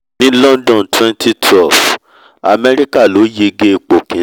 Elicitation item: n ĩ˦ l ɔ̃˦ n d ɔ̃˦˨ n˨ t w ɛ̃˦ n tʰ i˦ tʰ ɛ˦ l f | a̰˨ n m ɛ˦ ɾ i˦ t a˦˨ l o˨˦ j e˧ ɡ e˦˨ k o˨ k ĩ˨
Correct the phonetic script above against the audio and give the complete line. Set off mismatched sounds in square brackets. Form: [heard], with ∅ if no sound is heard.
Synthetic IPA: n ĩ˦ l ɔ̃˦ n d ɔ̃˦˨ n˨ t w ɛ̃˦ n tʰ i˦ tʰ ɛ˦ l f | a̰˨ [∅] m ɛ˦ ɾ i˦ [k] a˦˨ l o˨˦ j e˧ ɡ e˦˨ [k͡p] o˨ k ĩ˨